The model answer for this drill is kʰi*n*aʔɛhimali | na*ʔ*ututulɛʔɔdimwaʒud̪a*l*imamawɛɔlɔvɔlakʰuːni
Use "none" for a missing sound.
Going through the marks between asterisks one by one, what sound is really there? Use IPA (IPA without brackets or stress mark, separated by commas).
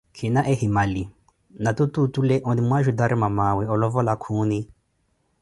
n, t, ɾ